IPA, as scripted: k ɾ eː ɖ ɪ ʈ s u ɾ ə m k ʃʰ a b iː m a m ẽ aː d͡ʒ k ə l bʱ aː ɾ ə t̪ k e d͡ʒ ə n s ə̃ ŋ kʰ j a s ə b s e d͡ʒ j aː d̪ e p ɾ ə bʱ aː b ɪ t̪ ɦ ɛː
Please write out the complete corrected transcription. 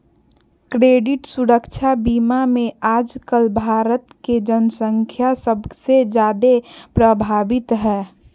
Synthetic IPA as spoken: k ɾ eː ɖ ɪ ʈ s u ɾ ə k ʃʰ a b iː m a m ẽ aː d͡ʒ k ə l bʱ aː ɾ ə t̪ k e d͡ʒ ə n s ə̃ ŋ kʰ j a s ə b s e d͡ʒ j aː d̪ e p ɾ ə bʱ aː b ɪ t̪ ɦ ɛː